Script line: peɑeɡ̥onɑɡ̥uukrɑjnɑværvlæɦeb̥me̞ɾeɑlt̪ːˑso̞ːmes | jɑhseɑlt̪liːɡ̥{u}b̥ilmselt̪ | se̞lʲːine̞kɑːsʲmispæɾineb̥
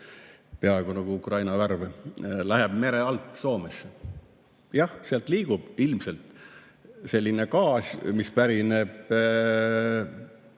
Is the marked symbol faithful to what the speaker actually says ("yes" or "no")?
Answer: yes